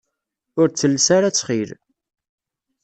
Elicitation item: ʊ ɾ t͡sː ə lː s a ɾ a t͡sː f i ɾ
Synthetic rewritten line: ʊ ɾ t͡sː ə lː s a ɾ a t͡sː χ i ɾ